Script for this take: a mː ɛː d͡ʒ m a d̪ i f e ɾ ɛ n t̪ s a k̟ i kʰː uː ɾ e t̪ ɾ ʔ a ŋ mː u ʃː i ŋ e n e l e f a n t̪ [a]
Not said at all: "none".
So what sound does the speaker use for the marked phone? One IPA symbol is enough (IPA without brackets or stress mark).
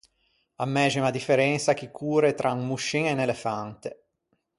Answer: e